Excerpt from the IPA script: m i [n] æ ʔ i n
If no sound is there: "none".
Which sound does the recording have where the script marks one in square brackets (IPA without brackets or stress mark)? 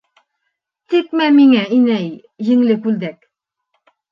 ŋ